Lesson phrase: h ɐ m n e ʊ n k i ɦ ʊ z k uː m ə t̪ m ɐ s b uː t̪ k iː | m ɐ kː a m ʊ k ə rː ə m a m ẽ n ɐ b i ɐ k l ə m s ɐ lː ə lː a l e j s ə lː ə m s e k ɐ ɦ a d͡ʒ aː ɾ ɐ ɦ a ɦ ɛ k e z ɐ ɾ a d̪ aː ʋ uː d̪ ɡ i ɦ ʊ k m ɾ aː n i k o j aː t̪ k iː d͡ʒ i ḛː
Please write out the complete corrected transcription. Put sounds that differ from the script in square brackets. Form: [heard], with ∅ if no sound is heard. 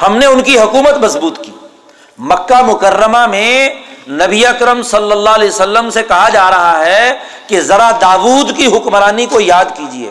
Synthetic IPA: h ɐ m n e ʊ n k i ɦ ʊ [∅] k uː m ə t̪ m ɐ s b uː t̪ k iː | m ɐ kː a m ʊ k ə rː ə m a m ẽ n ɐ b i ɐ k [ɾ] ə m s ɐ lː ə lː a l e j s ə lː ə m s e k ɐ ɦ a d͡ʒ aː ɾ ɐ ɦ a ɦ ɛ k e z ɐ ɾ a d̪ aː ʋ uː d̪ [k] i ɦ ʊ k m ɾ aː n i k o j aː [d̪] k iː d͡ʒ i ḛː